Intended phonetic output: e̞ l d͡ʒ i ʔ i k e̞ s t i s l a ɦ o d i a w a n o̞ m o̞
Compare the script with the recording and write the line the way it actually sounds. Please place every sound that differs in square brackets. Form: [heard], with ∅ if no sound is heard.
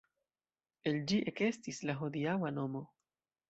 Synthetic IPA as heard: e̞ l d͡ʒ i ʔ [e] k e̞ s t i s l a ɦ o d i a w a n o̞ m o̞

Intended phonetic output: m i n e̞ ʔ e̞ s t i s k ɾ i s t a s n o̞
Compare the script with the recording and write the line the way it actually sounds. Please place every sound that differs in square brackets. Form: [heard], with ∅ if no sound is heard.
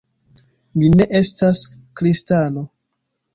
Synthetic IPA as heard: m i n e̞ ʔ e̞ s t [a] s k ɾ i s t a [∅] n o̞

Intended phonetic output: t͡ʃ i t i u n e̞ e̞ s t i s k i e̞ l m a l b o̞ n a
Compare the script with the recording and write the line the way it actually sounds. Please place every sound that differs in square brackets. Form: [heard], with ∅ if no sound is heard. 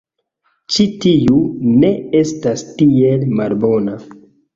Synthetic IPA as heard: t͡ʃ i t i u n e̞ e̞ s t [a] s [t] i e̞ l m a l b o̞ n a

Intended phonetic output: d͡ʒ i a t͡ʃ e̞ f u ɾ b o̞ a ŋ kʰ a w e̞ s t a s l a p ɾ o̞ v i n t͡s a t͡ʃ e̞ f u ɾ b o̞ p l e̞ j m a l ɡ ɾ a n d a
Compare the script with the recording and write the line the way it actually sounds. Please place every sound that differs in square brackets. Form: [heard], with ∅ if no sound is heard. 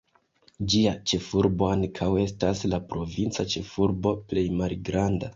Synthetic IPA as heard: d͡ʒ i a t͡ʃ e̞ f u ɾ b o̞ a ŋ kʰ a w e̞ s t a s l a p ɾ o̞ v i n t͡s a t͡ʃ e̞ f u ɾ b o̞ p l e̞ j m a l ɡ ɾ a n d a

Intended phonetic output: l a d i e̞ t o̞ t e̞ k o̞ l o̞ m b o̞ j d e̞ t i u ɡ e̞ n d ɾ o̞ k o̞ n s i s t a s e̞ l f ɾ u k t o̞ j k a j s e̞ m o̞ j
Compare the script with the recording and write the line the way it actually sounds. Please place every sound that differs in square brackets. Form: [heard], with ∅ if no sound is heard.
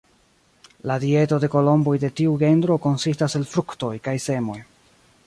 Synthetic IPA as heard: l a d i e̞ t o̞ [d] e̞ k o̞ l o̞ m b o̞ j d e̞ t i u ɡ e̞ n d ɾ o̞ k o̞ n s i s t a s e̞ l f ɾ u k t o̞ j k a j s e̞ m o̞ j

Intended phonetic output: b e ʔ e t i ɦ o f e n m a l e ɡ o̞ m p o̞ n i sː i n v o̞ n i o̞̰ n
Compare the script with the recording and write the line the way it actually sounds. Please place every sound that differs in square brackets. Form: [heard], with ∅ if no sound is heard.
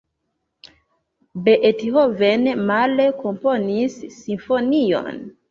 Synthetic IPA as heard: b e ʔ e t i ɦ o [v] e n m a l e [k] o̞ m p o̞ n i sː i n [f] o̞ n i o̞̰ n

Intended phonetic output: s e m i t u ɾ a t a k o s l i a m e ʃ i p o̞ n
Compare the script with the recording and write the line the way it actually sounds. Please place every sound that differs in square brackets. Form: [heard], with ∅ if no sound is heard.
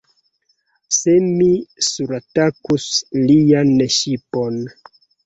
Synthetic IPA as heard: s e m i [s] u ɾ a t a k [u] s l i a [n] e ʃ i p o̞ n

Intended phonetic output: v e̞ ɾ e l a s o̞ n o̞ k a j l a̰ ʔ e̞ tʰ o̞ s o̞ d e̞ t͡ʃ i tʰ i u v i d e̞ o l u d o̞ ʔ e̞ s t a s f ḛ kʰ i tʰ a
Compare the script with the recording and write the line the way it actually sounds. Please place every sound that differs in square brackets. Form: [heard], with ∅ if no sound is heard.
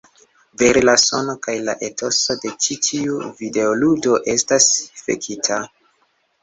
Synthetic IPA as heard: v e̞ ɾ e l a s o̞ n o̞ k a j l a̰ ʔ e̞ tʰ o̞ s o̞ d e̞ t͡ʃ i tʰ i u v i d e̞ o l u d o̞ ʔ e̞ s t a s f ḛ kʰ i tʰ a

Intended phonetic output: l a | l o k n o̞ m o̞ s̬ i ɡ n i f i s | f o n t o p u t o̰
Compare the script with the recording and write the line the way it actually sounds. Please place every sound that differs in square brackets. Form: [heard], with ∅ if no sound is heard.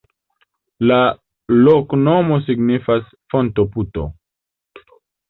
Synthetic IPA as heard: l a | l o k n o̞ m o̞ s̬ i ɡ n i f [a] s | f o n t o p u t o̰

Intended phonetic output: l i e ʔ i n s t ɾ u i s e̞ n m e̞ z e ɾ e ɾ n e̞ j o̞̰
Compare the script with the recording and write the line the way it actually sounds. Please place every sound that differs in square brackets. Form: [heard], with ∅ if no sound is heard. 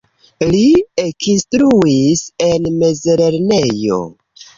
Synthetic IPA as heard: l i e [k] i n s t ɾ u i s e̞ n m e̞ z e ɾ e ɾ n e̞ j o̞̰

